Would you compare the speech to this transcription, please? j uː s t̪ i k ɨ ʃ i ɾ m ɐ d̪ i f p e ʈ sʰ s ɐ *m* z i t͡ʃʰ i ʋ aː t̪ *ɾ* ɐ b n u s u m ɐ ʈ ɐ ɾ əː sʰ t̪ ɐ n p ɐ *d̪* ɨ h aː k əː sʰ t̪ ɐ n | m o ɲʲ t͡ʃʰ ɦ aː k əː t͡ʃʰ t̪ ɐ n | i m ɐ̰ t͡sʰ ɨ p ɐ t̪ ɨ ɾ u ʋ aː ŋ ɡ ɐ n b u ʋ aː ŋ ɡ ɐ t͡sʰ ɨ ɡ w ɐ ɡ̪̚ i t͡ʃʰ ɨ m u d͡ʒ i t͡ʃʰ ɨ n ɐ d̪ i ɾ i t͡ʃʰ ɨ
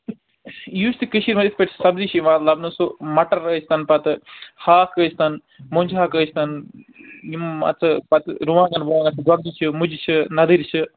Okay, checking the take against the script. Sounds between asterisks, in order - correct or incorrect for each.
incorrect, incorrect, incorrect

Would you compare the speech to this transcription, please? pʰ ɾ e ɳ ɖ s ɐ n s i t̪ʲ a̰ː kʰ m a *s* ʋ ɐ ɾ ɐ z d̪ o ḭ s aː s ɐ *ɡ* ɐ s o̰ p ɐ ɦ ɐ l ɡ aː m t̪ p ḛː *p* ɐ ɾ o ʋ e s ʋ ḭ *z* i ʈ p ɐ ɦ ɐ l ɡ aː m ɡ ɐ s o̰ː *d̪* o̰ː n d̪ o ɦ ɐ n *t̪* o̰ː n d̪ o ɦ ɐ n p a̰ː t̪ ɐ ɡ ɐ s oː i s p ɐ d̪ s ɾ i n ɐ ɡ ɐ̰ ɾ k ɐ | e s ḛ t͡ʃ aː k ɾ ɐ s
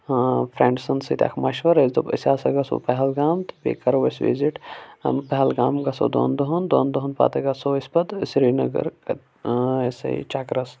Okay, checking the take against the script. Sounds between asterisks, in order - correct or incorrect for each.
incorrect, correct, incorrect, correct, correct, incorrect

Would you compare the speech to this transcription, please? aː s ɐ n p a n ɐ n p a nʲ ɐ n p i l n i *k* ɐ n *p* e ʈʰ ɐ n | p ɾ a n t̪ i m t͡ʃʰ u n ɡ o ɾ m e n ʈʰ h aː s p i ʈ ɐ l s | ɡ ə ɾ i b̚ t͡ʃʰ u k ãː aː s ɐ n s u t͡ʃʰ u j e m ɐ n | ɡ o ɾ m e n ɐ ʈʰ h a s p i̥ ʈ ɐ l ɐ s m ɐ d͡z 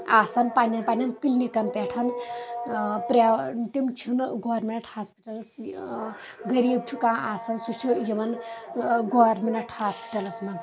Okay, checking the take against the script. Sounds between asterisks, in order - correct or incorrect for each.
correct, correct

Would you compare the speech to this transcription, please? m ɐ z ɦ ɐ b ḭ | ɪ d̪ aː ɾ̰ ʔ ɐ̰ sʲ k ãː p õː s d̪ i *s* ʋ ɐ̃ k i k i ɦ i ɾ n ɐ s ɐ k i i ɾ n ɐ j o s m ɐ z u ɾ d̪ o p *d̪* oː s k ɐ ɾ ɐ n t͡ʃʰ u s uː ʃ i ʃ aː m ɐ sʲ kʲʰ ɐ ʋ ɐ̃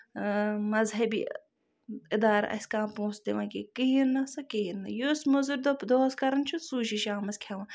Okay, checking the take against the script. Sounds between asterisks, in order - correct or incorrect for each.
incorrect, correct

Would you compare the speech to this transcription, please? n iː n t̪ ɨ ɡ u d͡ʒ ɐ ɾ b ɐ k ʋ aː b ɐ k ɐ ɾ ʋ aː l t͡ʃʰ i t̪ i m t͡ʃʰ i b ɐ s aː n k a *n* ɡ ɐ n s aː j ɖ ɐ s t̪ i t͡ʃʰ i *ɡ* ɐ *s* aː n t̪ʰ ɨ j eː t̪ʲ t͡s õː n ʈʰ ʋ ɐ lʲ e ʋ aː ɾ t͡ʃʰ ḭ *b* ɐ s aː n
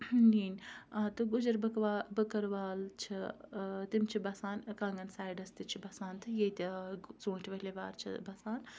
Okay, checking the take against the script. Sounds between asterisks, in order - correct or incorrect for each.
incorrect, incorrect, correct, correct

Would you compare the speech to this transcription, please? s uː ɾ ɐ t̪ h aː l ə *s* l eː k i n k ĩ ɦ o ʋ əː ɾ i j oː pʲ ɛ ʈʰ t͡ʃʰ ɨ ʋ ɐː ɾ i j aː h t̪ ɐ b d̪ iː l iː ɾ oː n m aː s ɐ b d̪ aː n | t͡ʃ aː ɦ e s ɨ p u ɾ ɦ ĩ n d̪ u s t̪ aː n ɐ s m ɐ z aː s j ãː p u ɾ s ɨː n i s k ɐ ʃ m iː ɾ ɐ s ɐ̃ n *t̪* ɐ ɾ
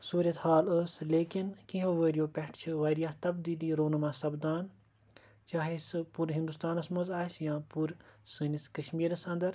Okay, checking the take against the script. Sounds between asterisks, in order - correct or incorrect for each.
correct, incorrect

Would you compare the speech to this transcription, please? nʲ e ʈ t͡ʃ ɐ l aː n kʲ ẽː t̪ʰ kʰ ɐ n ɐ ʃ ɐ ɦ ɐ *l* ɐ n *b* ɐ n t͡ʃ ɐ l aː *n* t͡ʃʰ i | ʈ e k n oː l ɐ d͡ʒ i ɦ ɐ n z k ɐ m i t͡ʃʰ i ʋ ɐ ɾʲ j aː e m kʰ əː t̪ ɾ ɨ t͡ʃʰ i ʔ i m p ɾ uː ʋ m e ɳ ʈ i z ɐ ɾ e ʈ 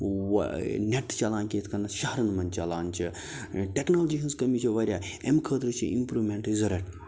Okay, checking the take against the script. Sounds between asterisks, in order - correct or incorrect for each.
incorrect, incorrect, correct

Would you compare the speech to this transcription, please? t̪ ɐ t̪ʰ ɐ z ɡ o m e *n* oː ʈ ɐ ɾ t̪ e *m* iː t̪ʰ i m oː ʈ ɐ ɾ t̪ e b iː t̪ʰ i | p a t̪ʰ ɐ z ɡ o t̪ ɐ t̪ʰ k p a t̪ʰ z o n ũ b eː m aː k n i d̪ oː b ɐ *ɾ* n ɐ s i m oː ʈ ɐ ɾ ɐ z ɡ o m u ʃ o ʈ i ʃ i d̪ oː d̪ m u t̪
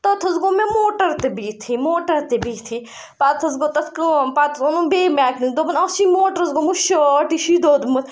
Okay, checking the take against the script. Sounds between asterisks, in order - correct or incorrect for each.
incorrect, incorrect, incorrect

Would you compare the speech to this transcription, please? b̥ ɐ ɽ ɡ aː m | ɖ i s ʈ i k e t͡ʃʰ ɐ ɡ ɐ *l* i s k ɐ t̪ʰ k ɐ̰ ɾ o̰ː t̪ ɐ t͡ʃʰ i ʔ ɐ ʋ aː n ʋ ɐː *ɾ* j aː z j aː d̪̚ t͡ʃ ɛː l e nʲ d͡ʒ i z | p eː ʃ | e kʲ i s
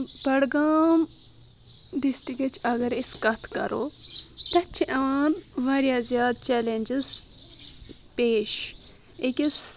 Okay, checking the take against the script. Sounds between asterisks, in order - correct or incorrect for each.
incorrect, correct

